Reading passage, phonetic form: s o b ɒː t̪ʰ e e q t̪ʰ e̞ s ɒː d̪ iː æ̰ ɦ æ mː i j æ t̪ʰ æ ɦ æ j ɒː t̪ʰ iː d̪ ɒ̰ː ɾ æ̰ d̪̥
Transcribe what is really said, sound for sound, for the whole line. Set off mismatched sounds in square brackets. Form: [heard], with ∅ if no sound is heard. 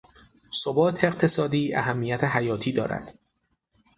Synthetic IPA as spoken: s o b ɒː t̪ʰ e e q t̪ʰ e̞ s ɒː d̪ iː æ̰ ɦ æ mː i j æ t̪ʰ [e] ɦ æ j ɒː t̪ʰ iː d̪ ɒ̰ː ɾ æ̰ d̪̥